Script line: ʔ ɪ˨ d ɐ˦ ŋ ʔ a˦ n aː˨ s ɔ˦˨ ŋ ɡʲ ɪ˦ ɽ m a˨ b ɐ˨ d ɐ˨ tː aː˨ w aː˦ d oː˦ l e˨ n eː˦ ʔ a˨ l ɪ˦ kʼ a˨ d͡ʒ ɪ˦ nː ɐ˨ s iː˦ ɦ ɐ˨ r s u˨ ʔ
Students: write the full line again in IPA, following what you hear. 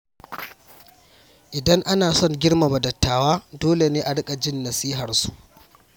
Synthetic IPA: ʔ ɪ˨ d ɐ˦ ŋ ʔ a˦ n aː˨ s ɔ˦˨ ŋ ɡʲ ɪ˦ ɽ m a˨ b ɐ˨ d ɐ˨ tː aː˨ w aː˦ d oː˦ l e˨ n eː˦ ʔ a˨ ɽ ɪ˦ kʼ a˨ d͡ʒ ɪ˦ nː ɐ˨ s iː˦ ɦ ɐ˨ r s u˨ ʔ